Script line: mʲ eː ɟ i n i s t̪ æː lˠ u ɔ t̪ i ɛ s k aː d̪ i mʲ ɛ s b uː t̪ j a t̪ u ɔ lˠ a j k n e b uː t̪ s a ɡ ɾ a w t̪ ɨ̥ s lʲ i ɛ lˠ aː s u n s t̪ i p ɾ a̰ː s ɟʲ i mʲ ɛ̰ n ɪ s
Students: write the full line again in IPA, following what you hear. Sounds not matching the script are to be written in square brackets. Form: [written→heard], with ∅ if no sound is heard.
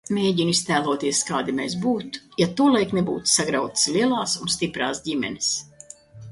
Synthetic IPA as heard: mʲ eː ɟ i n i s t̪ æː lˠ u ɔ t̪ i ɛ s k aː d̪ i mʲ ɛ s b uː t̪ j a t̪ u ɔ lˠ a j k n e b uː t̪ s a ɡ ɾ a w t̪ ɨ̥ s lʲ i ɛ lˠ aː s u n s t̪ i p ɾ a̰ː s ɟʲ i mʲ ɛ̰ n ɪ s